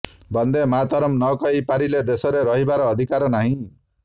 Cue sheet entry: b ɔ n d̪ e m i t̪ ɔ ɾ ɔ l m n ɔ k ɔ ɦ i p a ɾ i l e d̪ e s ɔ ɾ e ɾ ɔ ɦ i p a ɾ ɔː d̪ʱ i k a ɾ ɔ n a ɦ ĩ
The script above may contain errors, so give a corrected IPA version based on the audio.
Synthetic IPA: b ɔ n d̪ e m a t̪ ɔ ɾ ɔ m n ɔ k ɔ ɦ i p a ɾ i l e d̪ e s ɔ ɾ e ɾ ɔ ɦ i b a ɾ ɔː d̪ʱ i k a ɾ ɔ n a ɦ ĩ